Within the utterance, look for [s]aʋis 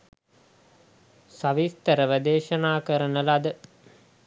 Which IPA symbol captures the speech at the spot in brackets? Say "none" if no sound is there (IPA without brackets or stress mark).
s